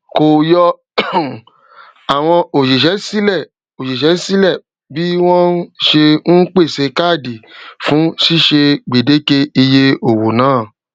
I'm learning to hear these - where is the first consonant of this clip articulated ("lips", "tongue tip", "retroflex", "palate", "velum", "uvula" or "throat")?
velum